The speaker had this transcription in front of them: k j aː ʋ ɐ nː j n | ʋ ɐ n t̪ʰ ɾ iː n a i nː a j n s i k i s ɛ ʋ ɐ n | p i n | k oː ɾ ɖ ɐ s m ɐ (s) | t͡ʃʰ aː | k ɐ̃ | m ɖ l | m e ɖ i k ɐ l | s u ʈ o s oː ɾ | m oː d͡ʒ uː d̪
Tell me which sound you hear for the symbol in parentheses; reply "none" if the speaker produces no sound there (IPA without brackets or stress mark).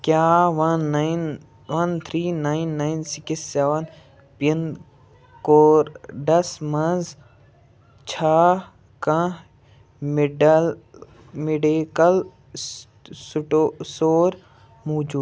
z